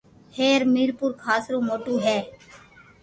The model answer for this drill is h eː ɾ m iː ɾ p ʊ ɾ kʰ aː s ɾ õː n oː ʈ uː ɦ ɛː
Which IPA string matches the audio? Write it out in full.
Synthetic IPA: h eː ɾ m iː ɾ p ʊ ɾ kʰ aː s ɾ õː m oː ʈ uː ɦ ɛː